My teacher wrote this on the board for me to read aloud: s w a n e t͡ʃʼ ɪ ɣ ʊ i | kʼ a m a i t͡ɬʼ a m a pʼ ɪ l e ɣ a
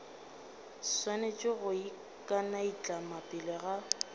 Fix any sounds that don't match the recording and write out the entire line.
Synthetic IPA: s w a n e t͡ʃʼ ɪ ɣ ʊ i | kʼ a n a i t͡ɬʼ a m a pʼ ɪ l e ɣ a